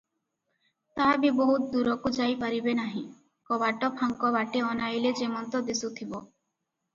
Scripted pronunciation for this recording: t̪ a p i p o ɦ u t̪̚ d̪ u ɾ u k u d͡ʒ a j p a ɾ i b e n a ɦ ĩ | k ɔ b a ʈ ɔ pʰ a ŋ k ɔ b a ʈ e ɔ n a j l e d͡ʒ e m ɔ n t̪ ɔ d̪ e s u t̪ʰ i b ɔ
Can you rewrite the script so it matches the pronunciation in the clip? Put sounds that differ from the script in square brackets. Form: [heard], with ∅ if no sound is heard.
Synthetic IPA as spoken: t̪ a [b] i [b] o ɦ u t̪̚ d̪ u ɾ [ɔ] k u d͡ʒ a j p a ɾ i b e n a ɦ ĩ | k ɔ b a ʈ ɔ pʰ a ŋ k ɔ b a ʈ e ɔ n a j l e d͡ʒ e m ɔ n t̪ ɔ d̪ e s u t̪ʰ i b ɔ